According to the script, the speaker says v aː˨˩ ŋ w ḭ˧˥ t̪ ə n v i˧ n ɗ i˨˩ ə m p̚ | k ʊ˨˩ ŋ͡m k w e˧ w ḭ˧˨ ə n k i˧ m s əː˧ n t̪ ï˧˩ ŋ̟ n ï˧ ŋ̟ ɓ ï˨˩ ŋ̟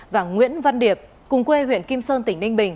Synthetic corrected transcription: v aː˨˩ ŋ w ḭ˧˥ ə n v a˧ n ɗ i˨˩ ə p̚ | k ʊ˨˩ ŋ͡m k w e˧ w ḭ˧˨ ə n k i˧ m s əː˧ n t̪ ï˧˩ ŋ̟ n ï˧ ŋ̟ ɓ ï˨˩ ŋ̟

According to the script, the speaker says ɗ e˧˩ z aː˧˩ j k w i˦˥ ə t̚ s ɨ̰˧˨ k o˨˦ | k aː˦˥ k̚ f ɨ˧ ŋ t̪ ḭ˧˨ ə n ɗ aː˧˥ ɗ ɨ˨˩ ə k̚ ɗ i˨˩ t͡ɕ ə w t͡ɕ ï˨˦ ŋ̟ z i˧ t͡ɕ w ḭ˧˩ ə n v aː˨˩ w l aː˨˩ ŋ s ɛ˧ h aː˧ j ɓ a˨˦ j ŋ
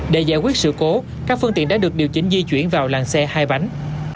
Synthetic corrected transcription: ɗ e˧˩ z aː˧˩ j k w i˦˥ ə t̚ s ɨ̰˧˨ k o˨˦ | k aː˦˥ k̚ f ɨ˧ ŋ t̪ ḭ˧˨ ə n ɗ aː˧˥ ɗ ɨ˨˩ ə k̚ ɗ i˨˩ ə w t͡ɕ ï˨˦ ŋ̟ z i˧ t͡ɕ w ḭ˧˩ ə n v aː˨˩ w l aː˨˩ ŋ s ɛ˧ h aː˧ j ɓ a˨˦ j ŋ

